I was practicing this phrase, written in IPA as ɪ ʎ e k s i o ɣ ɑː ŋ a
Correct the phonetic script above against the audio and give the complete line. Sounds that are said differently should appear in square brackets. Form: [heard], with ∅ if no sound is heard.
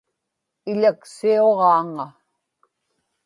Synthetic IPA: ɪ ʎ [a] k s i o [ʁ] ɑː ŋ a